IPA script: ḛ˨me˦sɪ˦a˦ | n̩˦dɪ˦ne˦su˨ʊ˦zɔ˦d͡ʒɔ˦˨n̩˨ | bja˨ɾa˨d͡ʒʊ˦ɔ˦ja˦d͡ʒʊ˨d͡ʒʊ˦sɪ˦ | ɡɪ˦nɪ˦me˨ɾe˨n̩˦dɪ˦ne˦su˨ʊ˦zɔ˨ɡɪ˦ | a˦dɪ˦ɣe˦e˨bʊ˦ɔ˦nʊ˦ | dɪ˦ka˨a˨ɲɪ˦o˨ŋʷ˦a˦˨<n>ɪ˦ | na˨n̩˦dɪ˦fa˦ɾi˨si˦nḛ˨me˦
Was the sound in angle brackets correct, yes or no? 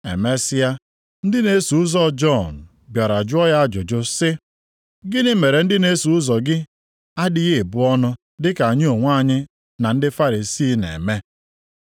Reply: no